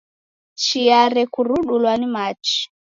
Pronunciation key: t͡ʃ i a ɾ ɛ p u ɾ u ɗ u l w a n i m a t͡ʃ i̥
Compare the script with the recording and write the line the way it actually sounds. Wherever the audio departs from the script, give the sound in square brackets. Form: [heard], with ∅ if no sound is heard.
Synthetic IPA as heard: t͡ʃ i a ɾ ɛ [k] u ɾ u ɗ u l w a n i m a t͡ʃ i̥